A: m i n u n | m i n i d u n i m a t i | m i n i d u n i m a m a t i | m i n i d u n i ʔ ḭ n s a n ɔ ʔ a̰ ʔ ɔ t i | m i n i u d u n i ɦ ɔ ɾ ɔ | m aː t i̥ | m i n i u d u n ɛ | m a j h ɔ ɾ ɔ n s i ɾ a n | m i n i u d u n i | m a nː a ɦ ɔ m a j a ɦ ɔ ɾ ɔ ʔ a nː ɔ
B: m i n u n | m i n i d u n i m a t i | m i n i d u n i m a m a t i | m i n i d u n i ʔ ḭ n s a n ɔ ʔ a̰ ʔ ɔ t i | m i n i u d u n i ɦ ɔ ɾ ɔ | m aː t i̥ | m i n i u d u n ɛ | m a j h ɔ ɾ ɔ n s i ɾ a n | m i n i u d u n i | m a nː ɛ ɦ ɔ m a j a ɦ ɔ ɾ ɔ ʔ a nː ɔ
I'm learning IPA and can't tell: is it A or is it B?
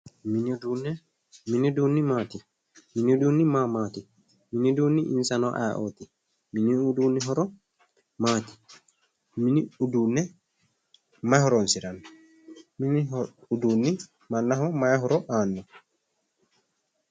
A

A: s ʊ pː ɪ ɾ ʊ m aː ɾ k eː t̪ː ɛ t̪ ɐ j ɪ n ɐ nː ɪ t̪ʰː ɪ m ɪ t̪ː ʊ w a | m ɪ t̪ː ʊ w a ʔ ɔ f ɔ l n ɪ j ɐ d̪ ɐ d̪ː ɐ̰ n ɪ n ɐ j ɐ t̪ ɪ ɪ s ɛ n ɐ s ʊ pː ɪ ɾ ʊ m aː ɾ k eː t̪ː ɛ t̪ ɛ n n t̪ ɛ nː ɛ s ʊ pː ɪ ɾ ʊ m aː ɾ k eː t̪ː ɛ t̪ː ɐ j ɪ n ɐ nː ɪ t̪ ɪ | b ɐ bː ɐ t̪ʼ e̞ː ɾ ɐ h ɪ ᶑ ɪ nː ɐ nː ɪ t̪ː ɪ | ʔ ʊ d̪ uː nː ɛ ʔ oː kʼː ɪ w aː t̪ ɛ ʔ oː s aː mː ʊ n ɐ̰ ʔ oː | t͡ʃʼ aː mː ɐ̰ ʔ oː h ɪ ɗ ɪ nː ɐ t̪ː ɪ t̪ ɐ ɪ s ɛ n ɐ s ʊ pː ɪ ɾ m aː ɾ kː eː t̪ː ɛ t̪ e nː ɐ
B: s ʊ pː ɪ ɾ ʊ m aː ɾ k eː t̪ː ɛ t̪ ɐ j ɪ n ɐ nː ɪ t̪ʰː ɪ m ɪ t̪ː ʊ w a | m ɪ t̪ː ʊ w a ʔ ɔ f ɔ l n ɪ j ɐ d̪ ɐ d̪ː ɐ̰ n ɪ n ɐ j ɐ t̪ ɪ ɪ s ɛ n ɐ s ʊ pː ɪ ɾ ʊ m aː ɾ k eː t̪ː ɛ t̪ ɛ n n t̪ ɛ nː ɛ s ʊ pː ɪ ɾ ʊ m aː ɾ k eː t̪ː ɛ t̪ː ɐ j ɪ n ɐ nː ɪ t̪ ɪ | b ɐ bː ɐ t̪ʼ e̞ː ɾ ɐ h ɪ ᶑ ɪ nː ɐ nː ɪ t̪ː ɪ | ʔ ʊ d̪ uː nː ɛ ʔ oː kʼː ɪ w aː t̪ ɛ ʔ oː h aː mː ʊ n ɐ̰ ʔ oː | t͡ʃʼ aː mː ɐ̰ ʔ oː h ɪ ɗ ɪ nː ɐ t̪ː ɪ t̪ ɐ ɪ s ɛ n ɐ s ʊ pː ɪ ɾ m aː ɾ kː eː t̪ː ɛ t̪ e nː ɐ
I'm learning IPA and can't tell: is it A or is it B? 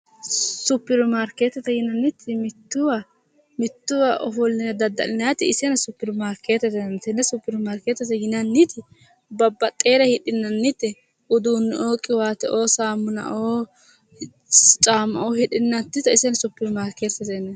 A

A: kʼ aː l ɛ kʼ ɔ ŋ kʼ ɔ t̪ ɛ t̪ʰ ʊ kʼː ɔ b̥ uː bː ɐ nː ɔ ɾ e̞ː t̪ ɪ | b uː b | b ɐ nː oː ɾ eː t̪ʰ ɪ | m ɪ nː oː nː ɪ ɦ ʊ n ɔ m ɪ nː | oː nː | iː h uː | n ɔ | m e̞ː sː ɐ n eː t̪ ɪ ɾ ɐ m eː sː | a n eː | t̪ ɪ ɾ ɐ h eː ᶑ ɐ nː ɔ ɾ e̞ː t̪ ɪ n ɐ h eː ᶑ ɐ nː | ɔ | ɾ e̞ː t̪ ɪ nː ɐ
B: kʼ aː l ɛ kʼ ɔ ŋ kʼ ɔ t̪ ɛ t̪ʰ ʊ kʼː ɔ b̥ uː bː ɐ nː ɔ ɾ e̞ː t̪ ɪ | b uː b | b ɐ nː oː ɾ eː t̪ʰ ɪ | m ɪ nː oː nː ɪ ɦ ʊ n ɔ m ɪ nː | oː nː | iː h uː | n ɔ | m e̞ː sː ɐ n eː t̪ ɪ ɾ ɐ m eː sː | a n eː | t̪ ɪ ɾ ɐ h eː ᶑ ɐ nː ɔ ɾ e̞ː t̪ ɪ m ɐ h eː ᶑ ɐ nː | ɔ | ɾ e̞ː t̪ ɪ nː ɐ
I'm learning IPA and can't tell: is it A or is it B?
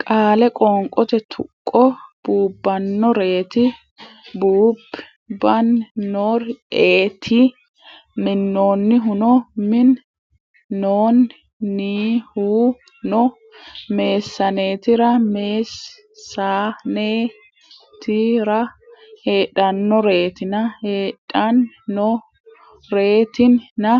A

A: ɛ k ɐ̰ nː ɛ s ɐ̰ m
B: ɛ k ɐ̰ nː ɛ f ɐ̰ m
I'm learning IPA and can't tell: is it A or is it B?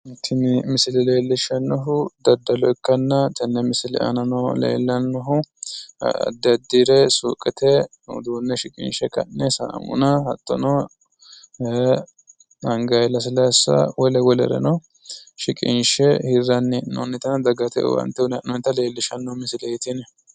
A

